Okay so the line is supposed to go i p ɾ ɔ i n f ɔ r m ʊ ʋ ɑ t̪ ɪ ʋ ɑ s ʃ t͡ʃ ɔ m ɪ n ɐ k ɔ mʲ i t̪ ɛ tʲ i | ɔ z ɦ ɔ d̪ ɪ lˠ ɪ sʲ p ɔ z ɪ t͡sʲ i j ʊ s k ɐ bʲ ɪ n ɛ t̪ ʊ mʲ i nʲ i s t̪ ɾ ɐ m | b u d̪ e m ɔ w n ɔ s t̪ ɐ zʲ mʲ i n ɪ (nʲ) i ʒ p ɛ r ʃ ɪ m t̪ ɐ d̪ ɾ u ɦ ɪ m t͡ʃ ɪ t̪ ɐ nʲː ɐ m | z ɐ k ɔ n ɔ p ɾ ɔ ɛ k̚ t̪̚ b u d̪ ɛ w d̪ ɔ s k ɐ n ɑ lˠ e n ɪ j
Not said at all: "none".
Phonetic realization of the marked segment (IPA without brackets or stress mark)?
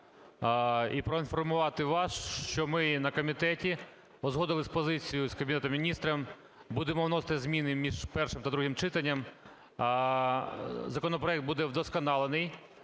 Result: mʲ